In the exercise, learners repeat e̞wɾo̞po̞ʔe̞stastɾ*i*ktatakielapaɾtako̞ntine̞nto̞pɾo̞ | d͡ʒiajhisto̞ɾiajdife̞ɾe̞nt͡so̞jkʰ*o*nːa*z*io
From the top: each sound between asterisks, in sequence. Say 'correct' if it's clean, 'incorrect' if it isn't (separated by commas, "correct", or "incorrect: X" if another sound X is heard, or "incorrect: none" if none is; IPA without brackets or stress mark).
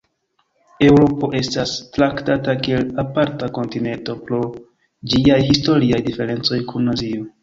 incorrect: a, incorrect: u, correct